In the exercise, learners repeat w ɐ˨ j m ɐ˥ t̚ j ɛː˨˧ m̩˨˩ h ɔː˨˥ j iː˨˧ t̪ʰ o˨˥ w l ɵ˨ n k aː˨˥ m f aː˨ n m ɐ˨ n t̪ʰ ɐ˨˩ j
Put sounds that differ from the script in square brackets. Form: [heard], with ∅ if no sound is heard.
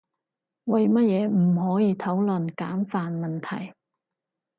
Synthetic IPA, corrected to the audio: w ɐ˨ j m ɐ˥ t̚ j ɛː˨˧ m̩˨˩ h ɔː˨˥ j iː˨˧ t̪ʰ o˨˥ w l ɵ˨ n k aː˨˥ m f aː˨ n m ɐ˨ n t̪ʰ ɐ˨˩ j